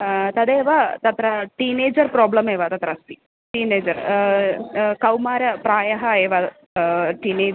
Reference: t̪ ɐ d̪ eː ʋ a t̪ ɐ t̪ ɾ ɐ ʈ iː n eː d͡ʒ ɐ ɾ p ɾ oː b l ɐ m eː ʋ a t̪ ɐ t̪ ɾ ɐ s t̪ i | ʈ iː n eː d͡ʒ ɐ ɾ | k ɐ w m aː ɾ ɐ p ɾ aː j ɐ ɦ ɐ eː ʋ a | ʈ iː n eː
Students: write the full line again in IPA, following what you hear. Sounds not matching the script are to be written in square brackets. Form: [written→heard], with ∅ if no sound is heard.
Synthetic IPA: t̪ ɐ d̪ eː ʋ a t̪ ɐ t̪ ɾ ɐ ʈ iː n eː d͡ʒ ɐ ɾ p ɾ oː b l ɐ m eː ʋ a t̪ ɐ t̪ ɾ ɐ s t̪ i | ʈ iː n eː d͡ʒ ɐ ɾ | k ɐ w m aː ɾ ɐ p ɾ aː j ɐ ɦ ɐ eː ʋ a | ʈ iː n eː